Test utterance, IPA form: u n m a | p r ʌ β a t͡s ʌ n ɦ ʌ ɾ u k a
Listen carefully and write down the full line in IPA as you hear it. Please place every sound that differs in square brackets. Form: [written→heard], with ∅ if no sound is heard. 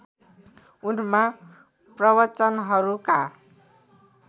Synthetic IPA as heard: u n m a | p r ʌ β [a→ʌ] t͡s ʌ n ɦ ʌ ɾ u k a